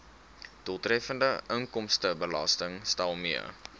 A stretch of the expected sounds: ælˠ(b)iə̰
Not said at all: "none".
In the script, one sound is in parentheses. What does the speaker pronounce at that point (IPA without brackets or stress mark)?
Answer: m